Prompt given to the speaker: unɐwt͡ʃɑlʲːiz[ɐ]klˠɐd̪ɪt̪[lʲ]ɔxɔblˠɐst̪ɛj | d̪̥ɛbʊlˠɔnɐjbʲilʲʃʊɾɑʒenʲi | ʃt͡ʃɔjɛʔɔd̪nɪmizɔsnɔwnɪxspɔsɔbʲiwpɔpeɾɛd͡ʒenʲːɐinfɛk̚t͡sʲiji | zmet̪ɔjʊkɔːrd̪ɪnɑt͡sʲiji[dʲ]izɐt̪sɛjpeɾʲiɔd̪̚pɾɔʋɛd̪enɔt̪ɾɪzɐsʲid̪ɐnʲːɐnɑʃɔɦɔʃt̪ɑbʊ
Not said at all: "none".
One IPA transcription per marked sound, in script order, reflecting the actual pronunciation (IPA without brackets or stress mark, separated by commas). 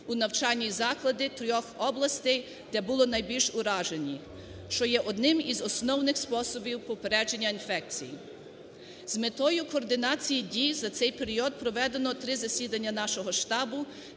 ɑ, ɾʲ, dʲ